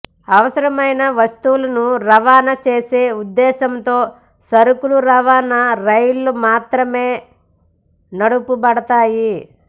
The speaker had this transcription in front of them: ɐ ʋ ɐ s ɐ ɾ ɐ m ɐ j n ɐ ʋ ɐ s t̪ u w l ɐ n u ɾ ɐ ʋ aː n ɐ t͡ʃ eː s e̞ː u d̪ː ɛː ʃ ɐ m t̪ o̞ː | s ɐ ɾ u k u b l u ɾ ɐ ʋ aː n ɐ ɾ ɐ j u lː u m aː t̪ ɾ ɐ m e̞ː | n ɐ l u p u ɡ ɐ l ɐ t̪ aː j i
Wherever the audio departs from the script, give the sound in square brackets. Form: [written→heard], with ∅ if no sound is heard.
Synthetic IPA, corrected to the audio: ɐ ʋ ɐ s ɐ ɾ ɐ m ɐ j n ɐ ʋ ɐ s t̪ u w l ɐ n u ɾ ɐ ʋ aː n ɐ t͡ʃ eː s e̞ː u d̪ː ɛː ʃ ɐ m t̪ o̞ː | s ɐ ɾ u k u [b→∅] l u ɾ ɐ ʋ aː n ɐ ɾ ɐ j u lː u m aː t̪ ɾ ɐ m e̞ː | n ɐ [l→ɽ] u p u [ɡ→b] ɐ [l→ɽ] ɐ t̪ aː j i